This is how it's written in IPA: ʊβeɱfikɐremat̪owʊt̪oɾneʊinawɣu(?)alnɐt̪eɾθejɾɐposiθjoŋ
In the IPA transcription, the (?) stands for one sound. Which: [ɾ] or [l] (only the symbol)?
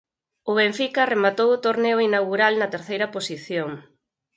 ɾ